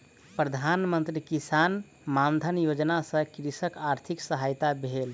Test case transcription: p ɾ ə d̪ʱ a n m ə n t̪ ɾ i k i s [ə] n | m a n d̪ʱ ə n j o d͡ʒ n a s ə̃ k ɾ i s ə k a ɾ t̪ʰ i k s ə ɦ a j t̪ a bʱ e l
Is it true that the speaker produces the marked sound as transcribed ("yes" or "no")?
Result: no